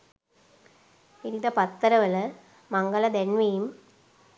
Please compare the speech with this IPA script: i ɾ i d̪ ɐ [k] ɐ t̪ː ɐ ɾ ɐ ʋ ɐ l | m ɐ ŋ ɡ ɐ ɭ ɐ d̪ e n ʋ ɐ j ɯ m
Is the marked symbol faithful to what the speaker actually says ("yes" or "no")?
no